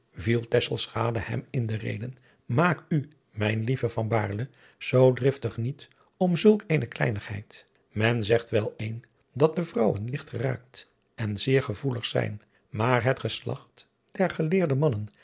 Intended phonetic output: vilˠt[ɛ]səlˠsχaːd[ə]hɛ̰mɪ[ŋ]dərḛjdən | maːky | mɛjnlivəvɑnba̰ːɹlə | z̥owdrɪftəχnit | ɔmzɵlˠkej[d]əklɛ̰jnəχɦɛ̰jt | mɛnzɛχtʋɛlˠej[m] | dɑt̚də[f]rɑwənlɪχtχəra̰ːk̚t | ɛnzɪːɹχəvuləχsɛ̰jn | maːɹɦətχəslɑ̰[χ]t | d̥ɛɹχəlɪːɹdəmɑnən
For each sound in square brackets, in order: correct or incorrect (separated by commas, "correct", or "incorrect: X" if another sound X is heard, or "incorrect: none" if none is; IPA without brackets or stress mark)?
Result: correct, correct, incorrect: n, incorrect: n, incorrect: n, incorrect: v, correct